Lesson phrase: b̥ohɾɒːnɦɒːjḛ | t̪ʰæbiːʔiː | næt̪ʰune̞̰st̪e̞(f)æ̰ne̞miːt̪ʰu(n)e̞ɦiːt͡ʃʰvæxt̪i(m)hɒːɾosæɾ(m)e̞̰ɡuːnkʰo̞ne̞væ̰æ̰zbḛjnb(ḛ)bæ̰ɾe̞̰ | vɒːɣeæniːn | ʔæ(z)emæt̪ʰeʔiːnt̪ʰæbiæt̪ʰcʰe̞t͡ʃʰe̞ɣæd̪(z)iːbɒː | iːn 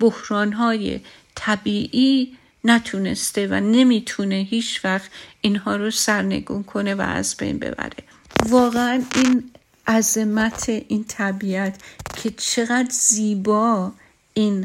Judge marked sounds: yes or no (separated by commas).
no, yes, no, no, yes, yes, yes